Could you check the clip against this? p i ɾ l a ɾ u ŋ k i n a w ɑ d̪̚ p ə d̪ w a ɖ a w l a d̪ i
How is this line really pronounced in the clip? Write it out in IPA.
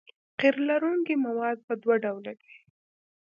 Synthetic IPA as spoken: q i ɾ l a ɾ u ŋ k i m a w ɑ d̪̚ p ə d̪ w a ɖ a w l a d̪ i